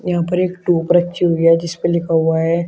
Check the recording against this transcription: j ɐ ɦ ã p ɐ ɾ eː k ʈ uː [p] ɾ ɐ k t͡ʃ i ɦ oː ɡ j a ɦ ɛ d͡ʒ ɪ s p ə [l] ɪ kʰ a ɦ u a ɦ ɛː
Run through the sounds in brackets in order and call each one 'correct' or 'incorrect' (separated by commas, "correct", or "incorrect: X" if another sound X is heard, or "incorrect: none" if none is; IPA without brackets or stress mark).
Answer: correct, correct